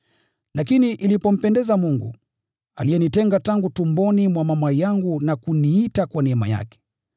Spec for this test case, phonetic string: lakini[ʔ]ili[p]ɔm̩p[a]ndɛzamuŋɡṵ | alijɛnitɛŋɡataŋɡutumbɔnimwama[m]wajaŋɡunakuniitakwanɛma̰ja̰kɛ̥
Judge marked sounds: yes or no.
yes, yes, no, yes

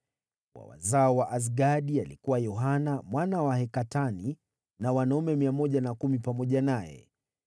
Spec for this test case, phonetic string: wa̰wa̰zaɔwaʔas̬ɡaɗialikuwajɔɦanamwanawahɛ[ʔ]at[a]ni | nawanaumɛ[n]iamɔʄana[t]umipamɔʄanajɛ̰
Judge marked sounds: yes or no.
no, yes, no, no

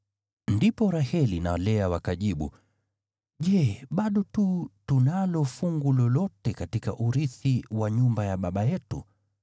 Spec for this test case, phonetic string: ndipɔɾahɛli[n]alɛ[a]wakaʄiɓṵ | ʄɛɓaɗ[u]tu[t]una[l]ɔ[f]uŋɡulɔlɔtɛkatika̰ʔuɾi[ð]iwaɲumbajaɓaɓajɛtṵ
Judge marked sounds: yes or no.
yes, yes, no, yes, yes, yes, no

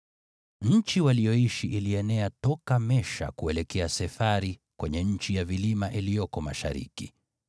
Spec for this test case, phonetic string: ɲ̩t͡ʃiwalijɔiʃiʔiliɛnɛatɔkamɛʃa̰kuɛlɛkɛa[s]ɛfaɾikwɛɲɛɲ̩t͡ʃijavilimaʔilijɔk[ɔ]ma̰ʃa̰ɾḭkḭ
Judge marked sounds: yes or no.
yes, yes

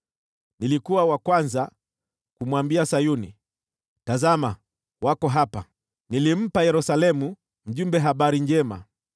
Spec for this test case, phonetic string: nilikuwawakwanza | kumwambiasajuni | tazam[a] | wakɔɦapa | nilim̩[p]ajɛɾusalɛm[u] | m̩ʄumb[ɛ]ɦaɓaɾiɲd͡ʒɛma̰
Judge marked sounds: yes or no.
yes, yes, yes, yes

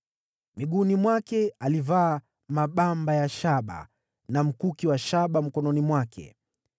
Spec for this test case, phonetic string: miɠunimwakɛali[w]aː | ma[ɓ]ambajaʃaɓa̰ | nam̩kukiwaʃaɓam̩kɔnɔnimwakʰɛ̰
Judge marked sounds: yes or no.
no, yes

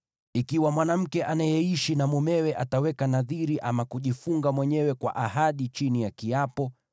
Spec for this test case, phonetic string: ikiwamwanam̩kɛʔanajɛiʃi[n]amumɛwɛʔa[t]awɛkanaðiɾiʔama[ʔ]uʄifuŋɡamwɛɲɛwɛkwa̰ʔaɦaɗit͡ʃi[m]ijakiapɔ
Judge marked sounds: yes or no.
yes, yes, no, no

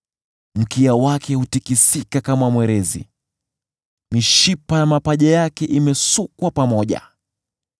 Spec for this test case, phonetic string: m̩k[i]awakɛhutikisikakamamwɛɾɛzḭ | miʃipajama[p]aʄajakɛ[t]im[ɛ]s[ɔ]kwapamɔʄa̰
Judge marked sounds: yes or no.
yes, yes, no, yes, no

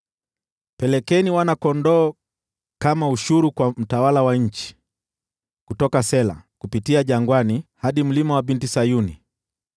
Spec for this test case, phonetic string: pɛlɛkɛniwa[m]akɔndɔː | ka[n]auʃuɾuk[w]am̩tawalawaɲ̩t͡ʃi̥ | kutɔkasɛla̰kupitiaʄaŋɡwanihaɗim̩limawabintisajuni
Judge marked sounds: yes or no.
no, no, yes

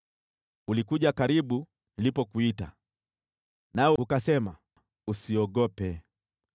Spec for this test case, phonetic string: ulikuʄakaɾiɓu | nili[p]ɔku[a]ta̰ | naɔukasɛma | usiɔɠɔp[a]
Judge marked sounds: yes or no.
yes, no, no

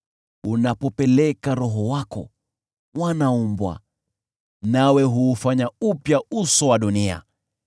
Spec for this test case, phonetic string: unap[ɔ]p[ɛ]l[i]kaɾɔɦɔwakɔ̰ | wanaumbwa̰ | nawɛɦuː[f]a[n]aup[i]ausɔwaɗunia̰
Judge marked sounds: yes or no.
yes, yes, no, yes, no, no

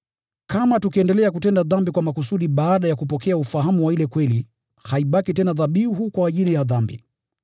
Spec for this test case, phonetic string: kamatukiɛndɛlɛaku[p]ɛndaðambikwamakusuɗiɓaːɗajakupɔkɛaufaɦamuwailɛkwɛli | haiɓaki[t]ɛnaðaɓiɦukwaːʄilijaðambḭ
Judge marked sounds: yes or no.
no, yes

